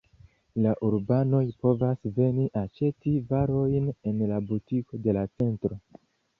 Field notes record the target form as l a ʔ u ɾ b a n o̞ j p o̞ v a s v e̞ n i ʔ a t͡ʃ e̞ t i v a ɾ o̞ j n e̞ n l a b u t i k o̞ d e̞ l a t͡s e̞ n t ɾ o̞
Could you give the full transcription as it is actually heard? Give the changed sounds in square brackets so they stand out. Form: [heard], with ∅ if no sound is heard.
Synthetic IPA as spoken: l a ʔ u ɾ b a n o̞ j p o̞ v a s v e̞ n i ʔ a t͡ʃ e̞ t i v a ɾ o̞ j n e̞ n l a b u t i k o̞ d e̞ l a t͡s e̞ n t ɾ o̞